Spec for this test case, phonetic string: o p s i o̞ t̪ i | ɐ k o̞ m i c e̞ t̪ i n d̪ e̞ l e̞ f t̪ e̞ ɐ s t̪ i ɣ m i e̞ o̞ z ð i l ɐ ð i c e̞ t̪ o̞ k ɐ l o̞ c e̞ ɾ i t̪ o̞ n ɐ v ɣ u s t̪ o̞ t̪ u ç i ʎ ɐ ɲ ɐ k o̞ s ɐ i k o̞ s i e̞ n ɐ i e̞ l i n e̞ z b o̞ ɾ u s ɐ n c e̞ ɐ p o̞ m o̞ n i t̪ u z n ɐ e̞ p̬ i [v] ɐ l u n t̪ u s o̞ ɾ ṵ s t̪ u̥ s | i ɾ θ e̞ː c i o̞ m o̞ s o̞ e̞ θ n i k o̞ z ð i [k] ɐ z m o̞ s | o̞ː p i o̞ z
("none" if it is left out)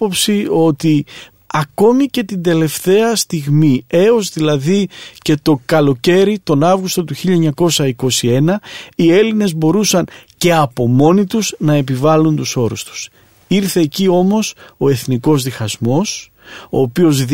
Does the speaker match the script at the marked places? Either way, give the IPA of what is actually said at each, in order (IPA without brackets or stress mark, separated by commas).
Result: v, x